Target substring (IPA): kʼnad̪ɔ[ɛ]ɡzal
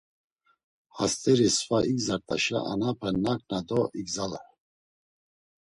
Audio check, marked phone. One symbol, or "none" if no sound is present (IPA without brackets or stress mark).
i